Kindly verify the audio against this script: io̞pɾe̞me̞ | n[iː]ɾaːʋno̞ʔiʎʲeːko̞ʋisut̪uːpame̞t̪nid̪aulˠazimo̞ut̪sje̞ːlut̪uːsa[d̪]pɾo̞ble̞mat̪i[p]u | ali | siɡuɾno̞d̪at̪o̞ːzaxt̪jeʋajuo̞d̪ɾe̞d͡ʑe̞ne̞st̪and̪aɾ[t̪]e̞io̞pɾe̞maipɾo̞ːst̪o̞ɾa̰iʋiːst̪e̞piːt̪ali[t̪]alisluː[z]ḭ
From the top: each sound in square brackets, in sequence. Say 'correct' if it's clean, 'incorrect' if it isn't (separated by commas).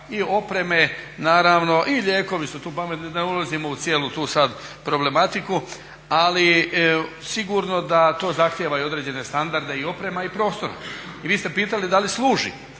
incorrect, correct, incorrect, incorrect, incorrect, incorrect